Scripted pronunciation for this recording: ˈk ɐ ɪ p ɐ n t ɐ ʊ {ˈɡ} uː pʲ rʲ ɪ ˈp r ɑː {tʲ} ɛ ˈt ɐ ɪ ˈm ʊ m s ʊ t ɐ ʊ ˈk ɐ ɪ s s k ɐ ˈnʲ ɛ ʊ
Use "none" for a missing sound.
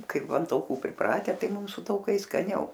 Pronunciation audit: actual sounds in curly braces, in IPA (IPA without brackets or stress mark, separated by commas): k, tʲ